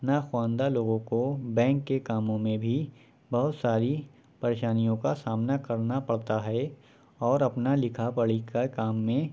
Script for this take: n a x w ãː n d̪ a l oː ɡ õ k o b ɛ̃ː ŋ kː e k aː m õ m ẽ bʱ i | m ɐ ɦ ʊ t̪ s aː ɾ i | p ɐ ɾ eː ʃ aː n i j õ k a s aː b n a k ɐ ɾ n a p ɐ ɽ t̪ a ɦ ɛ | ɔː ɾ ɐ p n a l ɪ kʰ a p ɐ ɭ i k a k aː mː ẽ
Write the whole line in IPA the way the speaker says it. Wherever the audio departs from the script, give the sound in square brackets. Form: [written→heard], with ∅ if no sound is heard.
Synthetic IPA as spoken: n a x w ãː n d̪ a l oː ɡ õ k o b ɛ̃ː ŋ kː e k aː m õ m ẽ bʱ i | [m→b] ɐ ɦ ʊ t̪ s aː ɾ i | p ɐ ɾ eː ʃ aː n i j õ k a s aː [b→m] n a k ɐ ɾ n a p ɐ ɽ t̪ a ɦ ɛ | ɔː ɾ ɐ p n a l ɪ kʰ a p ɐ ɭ i k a k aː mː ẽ